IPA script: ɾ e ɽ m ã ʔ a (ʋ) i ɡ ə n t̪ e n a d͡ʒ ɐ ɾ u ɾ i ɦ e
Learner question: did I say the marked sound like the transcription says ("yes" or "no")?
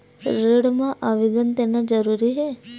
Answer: yes